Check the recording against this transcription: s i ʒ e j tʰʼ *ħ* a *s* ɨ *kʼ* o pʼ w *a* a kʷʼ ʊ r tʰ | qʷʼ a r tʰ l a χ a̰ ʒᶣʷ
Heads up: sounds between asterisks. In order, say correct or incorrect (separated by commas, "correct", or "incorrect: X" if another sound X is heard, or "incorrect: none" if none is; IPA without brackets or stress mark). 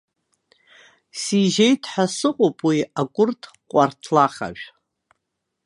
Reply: correct, correct, incorrect: qʼ, incorrect: i